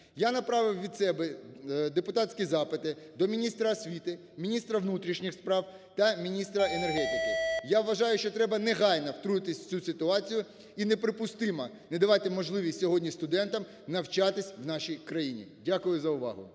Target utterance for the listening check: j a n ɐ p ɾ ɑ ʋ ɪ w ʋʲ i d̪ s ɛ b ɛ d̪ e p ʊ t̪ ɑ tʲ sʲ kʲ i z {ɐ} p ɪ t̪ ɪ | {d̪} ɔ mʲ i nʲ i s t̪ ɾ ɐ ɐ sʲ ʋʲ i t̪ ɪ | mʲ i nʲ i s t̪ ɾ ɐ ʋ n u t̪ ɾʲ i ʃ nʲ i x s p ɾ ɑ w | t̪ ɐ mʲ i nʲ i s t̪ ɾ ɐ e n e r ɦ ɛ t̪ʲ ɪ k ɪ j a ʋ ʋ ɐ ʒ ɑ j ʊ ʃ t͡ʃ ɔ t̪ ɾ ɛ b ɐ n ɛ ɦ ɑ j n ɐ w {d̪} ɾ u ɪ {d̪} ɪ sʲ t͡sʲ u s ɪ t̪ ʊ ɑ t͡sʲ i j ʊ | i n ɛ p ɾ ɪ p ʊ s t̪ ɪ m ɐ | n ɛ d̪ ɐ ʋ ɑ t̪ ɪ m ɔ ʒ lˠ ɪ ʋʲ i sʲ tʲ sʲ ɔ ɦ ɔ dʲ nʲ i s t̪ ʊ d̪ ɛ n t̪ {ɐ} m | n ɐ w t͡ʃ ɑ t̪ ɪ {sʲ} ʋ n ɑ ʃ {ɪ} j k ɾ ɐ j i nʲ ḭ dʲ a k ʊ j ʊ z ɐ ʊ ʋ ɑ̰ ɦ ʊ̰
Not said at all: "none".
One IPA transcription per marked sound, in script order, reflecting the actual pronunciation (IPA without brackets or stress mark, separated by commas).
ɑ, d̪, t̪, t̪, ɐ, sʲ, i